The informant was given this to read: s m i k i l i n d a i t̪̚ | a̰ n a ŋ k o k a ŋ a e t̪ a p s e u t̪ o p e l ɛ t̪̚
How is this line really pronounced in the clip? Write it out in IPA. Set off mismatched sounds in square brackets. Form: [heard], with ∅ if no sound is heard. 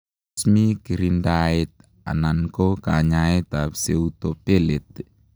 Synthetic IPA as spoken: s m i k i [ɾ] i n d a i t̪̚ | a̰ n a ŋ k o k a [ɲ] a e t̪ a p s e u t̪ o p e l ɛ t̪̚